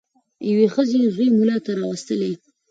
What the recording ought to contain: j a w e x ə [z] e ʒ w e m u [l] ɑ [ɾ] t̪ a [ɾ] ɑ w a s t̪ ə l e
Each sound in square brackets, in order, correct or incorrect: correct, correct, incorrect, correct

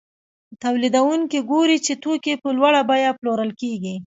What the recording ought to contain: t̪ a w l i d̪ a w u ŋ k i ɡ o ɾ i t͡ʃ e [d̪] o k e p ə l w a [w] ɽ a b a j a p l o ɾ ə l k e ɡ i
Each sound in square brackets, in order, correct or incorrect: incorrect, incorrect

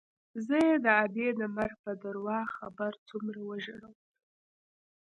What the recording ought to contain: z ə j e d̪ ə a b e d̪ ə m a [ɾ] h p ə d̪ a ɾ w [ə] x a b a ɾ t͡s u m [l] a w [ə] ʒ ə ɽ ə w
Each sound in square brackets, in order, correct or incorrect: correct, incorrect, incorrect, correct

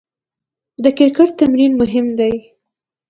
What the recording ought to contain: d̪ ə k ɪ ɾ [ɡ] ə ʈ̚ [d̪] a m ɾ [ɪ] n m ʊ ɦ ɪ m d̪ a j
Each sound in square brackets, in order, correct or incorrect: incorrect, incorrect, incorrect

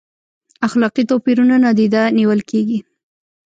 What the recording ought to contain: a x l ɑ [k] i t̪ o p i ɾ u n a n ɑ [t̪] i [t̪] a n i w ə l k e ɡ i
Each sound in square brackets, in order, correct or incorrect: incorrect, incorrect, incorrect

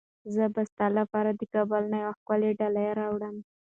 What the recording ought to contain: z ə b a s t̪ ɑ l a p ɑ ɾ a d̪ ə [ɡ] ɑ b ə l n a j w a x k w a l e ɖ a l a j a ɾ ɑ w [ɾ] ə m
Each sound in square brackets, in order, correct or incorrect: incorrect, incorrect

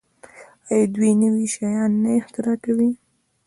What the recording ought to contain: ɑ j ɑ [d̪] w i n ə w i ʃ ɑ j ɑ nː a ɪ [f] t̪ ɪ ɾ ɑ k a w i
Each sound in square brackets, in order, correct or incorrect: correct, incorrect

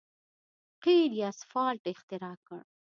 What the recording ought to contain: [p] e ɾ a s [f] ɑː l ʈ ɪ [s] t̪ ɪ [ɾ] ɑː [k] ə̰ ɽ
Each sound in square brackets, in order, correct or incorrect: incorrect, correct, incorrect, correct, correct

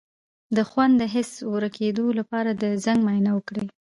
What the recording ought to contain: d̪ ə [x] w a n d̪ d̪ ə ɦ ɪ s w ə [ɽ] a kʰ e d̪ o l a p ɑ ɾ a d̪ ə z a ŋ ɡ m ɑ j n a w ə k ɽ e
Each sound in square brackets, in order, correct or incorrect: correct, incorrect

